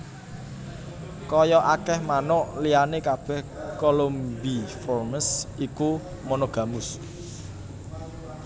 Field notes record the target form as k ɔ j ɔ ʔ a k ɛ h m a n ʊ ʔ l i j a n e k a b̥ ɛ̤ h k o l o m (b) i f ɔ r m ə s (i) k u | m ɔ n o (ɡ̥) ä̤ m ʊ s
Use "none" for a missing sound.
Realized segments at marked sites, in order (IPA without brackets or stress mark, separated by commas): b, i, ɡ̥